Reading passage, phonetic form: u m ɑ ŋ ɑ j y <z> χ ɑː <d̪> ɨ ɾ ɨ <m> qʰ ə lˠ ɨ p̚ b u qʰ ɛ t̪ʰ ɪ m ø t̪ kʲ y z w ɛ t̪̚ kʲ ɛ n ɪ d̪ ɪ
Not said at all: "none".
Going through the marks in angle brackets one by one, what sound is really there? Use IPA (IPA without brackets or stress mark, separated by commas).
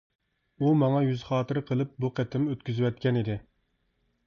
z, t̪, none